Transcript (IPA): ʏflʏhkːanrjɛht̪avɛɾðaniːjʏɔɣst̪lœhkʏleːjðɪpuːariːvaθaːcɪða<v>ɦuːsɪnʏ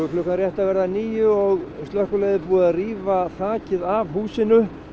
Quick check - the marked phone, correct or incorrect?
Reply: correct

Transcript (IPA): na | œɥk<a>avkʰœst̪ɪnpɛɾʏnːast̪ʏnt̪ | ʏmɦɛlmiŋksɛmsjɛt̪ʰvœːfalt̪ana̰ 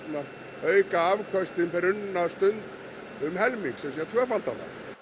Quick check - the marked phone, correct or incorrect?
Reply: correct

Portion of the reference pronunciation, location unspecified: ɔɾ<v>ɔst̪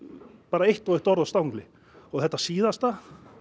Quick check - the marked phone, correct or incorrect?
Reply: incorrect: ð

